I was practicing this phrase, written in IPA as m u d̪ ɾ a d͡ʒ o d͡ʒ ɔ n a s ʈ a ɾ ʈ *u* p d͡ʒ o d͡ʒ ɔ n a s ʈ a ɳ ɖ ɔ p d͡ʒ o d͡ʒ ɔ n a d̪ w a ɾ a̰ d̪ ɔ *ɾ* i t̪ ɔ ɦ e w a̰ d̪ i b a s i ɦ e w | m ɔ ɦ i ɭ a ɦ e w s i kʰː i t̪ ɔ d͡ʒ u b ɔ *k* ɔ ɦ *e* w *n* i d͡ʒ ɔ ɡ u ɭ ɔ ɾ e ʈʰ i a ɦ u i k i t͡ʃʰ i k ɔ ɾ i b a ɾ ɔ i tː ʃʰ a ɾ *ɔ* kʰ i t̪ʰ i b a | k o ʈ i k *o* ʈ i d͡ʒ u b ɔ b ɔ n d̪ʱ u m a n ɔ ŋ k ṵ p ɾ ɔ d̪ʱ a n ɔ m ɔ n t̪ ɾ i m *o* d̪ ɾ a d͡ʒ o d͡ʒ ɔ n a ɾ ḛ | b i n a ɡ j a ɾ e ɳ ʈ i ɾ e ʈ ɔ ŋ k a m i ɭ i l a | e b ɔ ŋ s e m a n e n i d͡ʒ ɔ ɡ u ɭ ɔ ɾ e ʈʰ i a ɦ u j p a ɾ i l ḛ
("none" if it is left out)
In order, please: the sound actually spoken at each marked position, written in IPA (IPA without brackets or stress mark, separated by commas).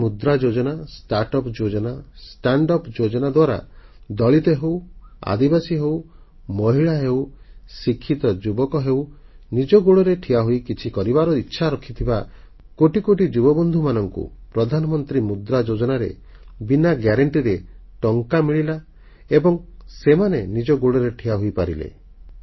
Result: ɔ, ɭ, k, e, n, ɔ, o, u